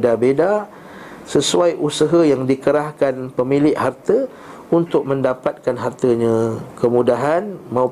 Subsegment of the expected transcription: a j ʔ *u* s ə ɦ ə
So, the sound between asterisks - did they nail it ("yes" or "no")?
yes